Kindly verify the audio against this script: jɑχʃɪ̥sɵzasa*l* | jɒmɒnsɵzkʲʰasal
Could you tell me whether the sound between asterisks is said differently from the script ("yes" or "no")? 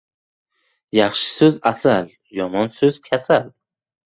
no